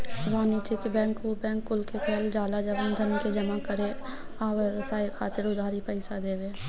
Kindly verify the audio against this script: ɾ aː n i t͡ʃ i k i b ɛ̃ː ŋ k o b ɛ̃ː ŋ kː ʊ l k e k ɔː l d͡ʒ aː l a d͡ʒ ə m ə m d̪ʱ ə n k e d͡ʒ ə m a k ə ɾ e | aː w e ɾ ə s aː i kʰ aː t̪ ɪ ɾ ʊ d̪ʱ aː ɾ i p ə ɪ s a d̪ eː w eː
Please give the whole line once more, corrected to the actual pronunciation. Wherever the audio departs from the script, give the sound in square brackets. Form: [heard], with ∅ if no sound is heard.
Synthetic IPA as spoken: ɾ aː n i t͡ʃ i k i b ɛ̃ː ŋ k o b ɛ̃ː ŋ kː ʊ l k e k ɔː l d͡ʒ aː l a d͡ʒ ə [b] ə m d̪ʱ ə n k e d͡ʒ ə m a k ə ɾ e | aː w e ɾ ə s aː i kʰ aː t̪ ɪ ɾ ʊ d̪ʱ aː ɾ i p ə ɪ s a d̪ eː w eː